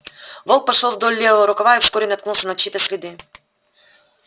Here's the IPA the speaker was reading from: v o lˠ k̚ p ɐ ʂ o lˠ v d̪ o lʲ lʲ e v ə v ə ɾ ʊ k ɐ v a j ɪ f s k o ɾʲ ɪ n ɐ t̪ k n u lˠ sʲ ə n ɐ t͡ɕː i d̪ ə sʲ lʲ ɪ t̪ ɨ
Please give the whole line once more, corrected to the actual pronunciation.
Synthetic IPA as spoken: v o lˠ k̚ p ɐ ʂ o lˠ v d̪ o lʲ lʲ e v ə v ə ɾ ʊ k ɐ v a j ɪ f s k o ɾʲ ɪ n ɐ t̪ k n u lˠ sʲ ə n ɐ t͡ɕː i t̪ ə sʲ lʲ ɪ d̪ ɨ